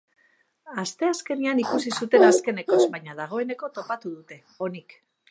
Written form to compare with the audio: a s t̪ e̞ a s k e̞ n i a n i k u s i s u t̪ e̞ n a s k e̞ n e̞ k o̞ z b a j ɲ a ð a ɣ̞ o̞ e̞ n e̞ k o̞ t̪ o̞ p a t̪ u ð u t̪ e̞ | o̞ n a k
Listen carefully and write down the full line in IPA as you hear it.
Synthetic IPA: a s t̪ e̞ a s k e̞ n i a n i k u s i s u t̪ e̞ n a s k e̞ n e̞ k o̞ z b a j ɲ a ð a ɣ̞ o̞ e̞ n e̞ k o̞ t̪ o̞ p a t̪ u ð u t̪ e̞ | o̞ n i k